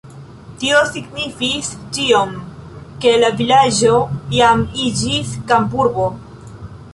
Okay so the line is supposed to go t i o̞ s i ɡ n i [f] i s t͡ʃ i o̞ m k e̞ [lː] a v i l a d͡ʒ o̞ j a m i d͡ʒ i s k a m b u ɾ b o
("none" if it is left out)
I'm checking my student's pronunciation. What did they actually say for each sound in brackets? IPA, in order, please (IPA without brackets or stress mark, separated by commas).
f, l